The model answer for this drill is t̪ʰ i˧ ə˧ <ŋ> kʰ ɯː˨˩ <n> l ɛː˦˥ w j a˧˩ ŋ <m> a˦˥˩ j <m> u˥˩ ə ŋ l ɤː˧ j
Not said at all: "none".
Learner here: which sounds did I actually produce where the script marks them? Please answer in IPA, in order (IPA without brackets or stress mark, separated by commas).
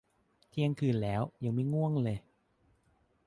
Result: ŋ, n, m, ŋ